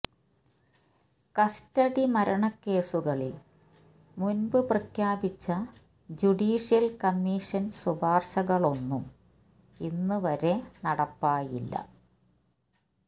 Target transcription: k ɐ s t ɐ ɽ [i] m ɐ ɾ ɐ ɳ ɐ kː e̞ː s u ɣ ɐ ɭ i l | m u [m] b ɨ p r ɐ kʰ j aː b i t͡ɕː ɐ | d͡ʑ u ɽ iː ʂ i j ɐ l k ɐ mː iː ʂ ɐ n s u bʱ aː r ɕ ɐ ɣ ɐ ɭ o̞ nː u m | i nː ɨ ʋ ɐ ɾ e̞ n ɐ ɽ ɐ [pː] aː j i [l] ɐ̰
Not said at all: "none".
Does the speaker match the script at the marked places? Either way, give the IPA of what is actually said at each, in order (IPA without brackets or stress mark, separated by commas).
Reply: i, n, pː, lː